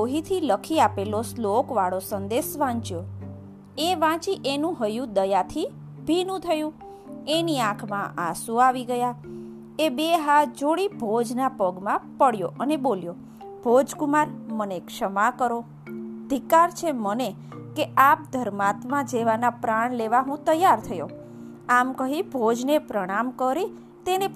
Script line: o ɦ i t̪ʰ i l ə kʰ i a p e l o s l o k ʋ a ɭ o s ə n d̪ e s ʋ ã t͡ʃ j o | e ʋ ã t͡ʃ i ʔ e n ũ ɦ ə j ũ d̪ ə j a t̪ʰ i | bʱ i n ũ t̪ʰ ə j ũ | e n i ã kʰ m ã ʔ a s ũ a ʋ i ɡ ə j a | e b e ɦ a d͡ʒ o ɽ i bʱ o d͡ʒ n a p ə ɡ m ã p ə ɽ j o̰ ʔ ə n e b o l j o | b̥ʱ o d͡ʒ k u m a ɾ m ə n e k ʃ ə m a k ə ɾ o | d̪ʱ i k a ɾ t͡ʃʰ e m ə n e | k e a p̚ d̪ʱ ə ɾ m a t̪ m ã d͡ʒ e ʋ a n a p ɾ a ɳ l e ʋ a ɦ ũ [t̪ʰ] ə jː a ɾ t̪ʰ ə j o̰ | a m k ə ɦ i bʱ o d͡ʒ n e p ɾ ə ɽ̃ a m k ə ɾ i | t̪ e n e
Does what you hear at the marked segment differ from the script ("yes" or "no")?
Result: yes